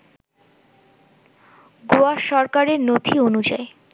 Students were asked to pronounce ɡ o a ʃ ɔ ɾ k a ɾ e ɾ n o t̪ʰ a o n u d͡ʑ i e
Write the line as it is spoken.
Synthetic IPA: ɡ o a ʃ ɔ ɾ k a ɾ e ɾ n o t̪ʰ i o n u d͡ʑ a e